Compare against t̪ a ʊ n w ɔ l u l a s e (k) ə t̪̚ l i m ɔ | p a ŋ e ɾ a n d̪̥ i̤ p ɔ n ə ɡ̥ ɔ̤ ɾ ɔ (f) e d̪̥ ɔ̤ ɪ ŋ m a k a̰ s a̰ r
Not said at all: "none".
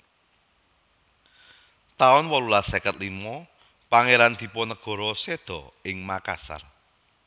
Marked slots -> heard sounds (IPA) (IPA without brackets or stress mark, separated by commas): k, s